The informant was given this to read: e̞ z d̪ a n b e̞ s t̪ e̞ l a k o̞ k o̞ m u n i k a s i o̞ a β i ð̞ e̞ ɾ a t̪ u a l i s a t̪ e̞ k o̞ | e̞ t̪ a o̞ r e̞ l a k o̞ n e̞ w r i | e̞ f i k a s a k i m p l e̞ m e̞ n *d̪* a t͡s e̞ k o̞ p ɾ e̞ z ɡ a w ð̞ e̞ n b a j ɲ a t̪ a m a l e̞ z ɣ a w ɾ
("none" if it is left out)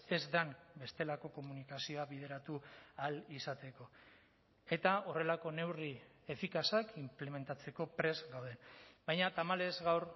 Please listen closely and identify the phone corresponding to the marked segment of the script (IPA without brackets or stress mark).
t̪